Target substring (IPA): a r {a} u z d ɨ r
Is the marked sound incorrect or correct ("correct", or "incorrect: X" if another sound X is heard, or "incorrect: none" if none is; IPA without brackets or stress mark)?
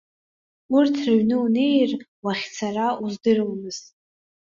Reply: correct